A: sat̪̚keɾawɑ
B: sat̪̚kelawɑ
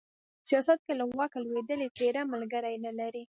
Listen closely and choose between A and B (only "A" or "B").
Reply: B